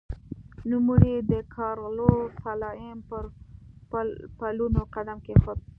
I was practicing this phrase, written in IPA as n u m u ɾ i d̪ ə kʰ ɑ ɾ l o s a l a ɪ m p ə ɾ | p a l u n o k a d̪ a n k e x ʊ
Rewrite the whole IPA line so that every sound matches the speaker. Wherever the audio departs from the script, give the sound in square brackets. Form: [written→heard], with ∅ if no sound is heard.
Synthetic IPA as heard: n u m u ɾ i d̪ ə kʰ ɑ ɾ l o s a l [a→ɑ] ɪ m p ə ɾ | p a l u n o [k→q] a d̪ a [n→m] k e x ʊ

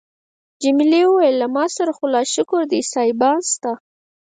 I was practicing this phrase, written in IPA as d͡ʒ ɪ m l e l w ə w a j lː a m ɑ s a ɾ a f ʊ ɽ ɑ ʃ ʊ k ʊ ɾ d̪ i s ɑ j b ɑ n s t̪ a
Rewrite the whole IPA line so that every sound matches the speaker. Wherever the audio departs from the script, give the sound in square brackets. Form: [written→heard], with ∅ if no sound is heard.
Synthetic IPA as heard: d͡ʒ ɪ m l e [l→∅] w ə w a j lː a m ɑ s a ɾ a [f→x] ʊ [ɽ→l] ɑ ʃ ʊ k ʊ ɾ d̪ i s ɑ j b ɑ n s t̪ a

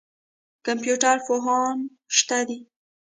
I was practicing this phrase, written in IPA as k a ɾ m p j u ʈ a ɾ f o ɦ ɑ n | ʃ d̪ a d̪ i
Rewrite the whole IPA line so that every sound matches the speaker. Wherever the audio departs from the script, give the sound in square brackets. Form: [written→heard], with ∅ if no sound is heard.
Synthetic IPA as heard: k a [ɾ→∅] m p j u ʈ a ɾ f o ɦ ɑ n | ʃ [d̪→t̪] a d̪ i

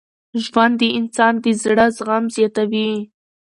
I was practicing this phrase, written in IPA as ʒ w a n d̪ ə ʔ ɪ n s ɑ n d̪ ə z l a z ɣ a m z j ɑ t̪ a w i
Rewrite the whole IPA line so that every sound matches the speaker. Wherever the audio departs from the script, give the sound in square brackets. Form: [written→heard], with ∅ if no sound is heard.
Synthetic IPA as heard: ʒ w a n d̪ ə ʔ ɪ n s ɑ n d̪ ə z [l→ɽ] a z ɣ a m z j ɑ t̪ a w i

